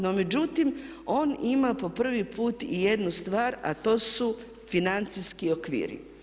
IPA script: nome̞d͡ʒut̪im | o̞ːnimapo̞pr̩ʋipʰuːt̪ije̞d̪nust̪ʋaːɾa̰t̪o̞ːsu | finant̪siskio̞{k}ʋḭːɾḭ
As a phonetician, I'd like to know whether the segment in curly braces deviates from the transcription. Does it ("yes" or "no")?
no